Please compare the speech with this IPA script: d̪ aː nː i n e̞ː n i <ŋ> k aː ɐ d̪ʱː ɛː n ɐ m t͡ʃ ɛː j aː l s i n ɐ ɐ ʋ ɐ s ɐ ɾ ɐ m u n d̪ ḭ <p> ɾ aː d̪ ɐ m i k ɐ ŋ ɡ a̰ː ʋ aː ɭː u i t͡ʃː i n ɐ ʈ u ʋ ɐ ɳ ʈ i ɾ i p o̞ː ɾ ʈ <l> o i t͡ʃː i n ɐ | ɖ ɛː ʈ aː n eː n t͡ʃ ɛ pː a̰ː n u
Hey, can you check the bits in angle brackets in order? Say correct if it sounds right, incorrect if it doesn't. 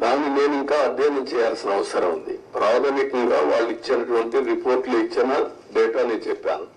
correct, correct, correct

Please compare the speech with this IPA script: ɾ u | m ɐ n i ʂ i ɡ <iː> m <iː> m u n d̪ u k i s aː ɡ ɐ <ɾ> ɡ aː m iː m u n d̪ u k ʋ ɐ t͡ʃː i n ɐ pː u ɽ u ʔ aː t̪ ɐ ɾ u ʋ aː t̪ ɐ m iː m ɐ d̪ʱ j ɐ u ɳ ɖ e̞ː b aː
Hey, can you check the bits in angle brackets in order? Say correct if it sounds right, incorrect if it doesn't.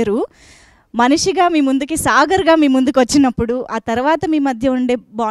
incorrect: aː, correct, correct

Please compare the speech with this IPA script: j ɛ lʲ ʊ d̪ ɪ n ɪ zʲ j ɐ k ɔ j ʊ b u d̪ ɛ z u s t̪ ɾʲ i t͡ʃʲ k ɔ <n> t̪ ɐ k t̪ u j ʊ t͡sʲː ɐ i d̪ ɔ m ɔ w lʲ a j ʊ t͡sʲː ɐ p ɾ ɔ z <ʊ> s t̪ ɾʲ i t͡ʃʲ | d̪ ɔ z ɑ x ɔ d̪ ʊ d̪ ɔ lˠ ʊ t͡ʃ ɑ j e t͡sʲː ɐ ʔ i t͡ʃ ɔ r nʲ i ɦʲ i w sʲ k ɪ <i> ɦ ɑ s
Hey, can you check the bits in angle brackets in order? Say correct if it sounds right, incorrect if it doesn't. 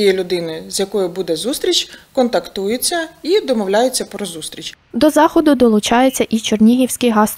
correct, incorrect: u, incorrect: j

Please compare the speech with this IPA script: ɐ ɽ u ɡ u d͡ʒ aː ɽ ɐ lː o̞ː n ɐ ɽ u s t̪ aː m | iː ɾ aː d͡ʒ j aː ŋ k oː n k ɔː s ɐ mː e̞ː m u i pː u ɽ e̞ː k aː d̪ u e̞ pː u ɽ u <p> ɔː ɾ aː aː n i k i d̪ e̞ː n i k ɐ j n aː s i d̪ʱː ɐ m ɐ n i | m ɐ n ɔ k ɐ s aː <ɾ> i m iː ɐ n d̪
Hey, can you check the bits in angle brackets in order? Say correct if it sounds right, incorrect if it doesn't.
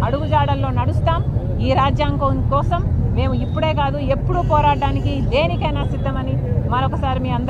correct, correct

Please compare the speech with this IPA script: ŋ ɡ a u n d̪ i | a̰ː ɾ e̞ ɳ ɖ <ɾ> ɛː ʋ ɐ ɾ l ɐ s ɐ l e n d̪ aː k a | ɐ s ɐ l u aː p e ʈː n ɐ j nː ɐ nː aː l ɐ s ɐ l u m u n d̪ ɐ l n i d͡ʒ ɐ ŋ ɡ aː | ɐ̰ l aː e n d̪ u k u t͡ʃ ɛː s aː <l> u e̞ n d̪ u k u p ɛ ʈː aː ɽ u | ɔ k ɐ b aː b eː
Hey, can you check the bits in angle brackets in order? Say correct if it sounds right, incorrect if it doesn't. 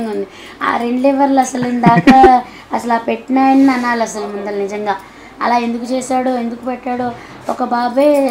incorrect: l, incorrect: ɽ

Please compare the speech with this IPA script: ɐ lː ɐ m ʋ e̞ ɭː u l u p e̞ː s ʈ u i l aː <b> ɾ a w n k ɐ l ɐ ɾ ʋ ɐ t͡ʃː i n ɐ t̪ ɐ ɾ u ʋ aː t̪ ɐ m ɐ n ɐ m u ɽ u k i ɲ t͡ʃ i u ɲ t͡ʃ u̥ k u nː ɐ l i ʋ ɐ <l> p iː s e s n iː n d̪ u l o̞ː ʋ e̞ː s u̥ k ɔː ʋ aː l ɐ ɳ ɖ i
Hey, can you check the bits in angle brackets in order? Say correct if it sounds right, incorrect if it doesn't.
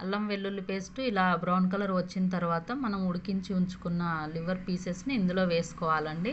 correct, incorrect: ɾ

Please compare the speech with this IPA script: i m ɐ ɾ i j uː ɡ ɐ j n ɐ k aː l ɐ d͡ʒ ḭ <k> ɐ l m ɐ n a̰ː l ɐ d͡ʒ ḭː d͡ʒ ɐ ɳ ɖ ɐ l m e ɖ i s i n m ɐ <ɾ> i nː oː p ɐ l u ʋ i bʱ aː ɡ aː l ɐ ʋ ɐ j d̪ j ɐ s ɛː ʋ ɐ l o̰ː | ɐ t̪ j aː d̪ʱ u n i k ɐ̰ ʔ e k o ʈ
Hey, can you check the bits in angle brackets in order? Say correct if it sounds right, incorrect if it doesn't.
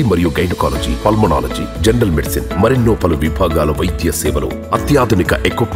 incorrect: p, correct

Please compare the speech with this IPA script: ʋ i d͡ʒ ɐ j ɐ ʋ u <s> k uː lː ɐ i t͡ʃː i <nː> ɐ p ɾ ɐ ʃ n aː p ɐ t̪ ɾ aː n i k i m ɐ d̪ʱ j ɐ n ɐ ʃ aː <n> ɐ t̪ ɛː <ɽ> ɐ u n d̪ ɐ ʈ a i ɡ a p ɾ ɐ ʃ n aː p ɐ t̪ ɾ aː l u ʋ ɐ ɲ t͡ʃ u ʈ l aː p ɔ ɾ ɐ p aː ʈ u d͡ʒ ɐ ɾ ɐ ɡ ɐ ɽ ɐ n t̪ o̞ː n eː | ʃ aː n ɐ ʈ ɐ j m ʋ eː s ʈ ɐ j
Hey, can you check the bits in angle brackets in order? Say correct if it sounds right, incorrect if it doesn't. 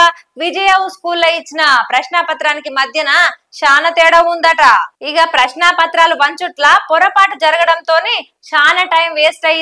correct, incorrect: n, correct, correct

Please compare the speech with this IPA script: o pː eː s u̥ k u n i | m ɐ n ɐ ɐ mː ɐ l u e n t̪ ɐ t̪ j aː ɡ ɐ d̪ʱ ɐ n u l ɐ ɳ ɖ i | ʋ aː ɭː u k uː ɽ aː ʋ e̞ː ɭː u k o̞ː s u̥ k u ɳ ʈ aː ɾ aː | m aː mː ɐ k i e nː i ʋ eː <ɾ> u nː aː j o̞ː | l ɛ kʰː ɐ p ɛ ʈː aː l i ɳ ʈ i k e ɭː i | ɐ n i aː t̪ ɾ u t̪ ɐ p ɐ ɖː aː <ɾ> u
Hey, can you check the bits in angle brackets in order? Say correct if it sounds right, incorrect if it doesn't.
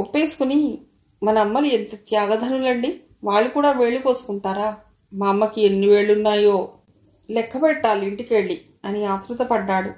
incorrect: ɭ, incorrect: ɽ

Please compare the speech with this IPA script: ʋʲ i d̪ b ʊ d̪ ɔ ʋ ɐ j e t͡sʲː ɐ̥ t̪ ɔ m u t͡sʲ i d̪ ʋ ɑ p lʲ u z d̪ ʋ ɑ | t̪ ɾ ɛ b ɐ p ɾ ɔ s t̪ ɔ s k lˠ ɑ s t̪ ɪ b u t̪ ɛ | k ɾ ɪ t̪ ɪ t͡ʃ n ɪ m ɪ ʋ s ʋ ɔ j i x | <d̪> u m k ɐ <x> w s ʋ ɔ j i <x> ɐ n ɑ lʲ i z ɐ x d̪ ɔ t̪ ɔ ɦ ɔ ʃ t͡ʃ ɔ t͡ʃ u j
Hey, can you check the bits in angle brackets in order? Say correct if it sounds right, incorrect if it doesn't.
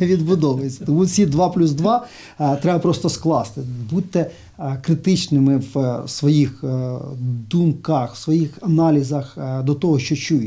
correct, correct, correct

